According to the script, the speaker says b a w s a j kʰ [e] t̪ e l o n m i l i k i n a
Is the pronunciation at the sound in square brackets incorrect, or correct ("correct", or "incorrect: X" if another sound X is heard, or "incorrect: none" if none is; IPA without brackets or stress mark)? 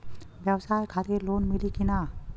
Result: incorrect: a